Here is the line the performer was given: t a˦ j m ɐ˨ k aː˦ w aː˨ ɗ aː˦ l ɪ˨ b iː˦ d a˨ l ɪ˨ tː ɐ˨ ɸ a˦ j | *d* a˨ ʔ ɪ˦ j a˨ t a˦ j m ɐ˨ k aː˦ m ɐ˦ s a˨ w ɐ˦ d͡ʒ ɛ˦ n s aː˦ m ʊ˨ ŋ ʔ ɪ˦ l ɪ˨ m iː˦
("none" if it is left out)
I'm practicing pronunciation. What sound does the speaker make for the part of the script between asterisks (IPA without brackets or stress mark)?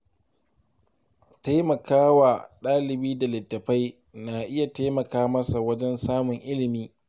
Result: n